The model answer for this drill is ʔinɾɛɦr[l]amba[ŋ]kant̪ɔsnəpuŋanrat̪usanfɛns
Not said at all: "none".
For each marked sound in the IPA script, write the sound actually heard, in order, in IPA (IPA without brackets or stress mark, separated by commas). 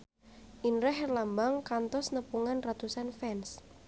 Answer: l, ŋ